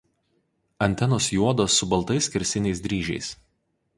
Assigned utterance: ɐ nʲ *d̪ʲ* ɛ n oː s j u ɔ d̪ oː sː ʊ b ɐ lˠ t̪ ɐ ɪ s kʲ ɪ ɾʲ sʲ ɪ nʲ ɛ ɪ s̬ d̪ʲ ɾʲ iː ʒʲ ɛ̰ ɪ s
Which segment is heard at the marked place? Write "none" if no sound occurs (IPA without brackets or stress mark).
t̪ʲ